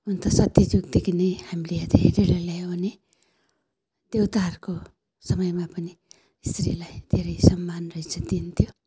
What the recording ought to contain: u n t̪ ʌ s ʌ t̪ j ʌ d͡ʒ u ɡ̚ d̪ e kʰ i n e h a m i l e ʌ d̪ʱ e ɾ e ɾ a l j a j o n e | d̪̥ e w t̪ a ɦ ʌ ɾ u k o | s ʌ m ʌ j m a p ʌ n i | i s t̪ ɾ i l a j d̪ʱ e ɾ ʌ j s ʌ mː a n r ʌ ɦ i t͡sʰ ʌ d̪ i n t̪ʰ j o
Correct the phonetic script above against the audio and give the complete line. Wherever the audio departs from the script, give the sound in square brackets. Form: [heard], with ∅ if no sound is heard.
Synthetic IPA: u n t̪ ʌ s ʌ t̪ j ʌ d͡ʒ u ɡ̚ d̪ e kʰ i n e h a m i l e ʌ d̪ʱ e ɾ e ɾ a l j a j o n e | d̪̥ e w t̪ a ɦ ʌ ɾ u k o | s ʌ m ʌ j m a p ʌ n i | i s t̪ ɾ i l a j d̪ʱ e ɾ ʌ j s ʌ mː a n r ʌ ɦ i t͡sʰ ʌ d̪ i n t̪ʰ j o